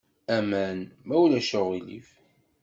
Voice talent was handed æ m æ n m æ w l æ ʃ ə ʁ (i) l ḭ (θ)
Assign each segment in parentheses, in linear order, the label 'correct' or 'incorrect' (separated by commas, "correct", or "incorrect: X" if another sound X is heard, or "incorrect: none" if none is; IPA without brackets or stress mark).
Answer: correct, incorrect: f